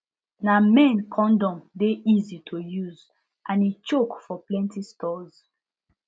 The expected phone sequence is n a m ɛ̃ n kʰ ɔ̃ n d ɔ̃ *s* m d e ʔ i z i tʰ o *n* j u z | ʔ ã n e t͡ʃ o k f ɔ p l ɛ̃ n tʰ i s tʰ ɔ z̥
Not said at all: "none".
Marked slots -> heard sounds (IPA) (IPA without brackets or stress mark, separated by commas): none, none